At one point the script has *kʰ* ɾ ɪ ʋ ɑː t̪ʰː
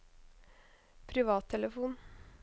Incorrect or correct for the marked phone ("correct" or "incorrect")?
incorrect